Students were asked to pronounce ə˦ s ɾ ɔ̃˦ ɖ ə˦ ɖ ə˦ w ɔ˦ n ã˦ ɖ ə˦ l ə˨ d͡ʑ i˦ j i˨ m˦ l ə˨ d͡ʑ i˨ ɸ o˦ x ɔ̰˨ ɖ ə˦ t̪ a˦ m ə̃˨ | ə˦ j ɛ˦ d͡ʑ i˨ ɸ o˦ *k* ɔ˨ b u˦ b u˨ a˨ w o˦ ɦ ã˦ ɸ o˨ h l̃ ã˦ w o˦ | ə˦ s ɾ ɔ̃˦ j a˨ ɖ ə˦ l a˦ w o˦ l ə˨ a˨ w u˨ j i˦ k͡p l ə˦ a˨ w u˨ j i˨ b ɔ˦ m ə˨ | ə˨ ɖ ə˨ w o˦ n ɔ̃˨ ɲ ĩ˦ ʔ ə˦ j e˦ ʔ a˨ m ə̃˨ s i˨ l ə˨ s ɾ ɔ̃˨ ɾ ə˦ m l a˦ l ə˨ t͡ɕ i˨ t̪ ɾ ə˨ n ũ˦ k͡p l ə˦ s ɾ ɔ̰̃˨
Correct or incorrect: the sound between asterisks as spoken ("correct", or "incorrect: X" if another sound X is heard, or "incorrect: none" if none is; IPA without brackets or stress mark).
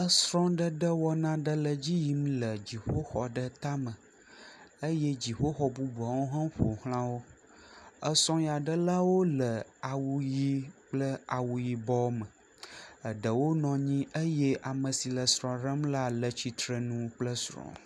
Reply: incorrect: x